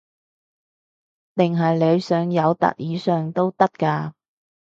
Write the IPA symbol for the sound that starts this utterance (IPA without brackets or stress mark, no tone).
t̪